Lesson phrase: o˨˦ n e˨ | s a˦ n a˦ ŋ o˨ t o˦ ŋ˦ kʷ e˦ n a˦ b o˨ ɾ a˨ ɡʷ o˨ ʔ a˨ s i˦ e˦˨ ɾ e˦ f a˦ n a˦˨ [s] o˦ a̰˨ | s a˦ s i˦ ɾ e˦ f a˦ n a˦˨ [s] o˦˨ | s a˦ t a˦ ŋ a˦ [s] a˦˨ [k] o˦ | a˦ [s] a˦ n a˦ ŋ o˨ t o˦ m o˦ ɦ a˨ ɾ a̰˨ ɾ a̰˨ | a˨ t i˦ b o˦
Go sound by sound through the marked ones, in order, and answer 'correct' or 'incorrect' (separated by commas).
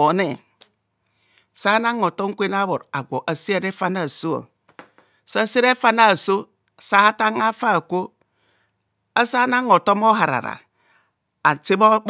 correct, correct, incorrect, correct, correct